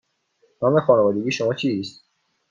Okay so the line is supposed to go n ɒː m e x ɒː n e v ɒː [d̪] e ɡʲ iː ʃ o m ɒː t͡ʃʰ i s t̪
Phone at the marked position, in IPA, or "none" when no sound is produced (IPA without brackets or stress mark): d̪